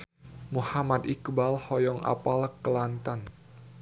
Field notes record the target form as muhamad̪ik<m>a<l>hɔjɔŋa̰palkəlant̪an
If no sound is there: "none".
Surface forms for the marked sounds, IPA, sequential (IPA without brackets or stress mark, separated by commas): b, l